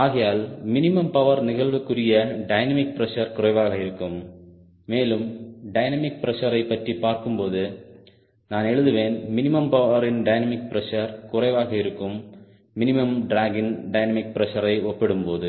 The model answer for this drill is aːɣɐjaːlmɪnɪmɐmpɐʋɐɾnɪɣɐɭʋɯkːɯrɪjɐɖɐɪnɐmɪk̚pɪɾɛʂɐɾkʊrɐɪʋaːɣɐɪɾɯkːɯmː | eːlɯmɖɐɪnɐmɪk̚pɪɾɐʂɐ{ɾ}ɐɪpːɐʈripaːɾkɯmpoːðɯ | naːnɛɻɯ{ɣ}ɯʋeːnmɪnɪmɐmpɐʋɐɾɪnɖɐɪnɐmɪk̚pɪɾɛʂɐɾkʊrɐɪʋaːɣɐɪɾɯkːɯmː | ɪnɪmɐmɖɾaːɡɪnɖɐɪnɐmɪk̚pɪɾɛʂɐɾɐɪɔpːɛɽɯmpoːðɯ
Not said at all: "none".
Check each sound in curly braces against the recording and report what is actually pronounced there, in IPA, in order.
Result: ɾ, ð

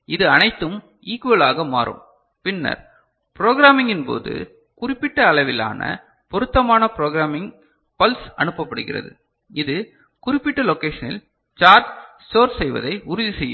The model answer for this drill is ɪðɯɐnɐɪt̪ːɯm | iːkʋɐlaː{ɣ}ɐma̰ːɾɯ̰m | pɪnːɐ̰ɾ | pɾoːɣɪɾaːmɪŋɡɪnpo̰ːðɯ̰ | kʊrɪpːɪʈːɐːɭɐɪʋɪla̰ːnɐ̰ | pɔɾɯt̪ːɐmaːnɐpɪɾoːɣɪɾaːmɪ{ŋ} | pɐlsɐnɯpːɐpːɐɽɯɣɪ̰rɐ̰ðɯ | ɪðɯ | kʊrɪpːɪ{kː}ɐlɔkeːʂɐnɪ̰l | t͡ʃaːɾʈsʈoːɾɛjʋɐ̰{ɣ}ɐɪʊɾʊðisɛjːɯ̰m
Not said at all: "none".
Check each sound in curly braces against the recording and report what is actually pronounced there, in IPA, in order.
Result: ɣ, ŋ, ʈː, ð

